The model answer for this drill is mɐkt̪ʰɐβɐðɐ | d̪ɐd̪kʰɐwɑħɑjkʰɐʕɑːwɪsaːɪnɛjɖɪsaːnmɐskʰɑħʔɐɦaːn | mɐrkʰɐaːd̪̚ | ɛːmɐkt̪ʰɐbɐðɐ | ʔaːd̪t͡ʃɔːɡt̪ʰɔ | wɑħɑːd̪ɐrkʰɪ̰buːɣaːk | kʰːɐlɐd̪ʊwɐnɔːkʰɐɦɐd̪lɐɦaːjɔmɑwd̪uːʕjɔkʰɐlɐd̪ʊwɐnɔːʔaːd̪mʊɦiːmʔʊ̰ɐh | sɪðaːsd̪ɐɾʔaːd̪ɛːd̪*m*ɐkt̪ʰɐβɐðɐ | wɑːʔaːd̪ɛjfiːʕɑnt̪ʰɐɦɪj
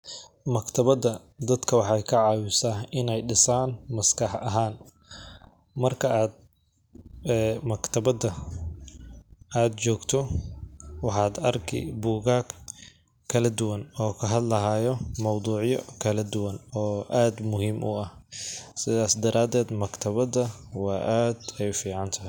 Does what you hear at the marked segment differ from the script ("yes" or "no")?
no